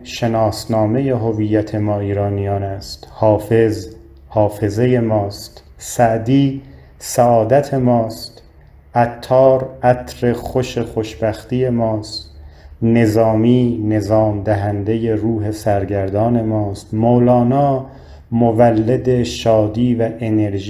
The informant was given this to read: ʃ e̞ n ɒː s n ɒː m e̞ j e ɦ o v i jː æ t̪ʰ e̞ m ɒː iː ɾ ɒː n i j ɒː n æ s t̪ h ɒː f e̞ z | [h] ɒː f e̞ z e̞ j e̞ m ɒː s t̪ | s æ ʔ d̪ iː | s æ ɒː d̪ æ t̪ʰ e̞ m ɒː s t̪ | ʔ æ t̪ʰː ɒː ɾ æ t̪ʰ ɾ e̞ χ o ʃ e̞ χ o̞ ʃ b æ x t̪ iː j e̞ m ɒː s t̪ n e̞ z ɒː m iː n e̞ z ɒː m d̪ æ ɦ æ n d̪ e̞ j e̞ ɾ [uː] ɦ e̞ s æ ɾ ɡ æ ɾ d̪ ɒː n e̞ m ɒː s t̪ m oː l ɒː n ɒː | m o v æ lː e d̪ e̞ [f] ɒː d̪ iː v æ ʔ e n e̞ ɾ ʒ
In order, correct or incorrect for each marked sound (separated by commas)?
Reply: correct, correct, incorrect